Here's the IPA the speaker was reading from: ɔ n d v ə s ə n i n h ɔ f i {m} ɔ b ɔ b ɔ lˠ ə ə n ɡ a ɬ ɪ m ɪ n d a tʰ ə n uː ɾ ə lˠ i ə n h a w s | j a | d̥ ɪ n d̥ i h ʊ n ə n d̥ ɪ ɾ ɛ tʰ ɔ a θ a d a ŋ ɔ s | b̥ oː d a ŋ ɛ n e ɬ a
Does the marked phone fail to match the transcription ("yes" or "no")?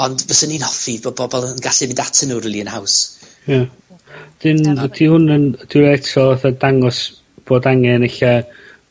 yes